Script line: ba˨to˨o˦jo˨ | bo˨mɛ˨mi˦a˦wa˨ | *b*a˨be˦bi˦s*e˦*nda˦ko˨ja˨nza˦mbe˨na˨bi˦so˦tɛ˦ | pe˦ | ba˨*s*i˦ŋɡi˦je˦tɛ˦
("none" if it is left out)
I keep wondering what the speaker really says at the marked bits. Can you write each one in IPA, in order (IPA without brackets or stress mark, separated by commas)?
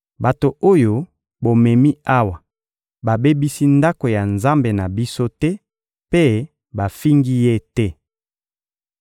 b, i˦, f